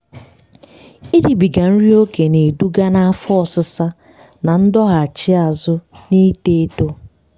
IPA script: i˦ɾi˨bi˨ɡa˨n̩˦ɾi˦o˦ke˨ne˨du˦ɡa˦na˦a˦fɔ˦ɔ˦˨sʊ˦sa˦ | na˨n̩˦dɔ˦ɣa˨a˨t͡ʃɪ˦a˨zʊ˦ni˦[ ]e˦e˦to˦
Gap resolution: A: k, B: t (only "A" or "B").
B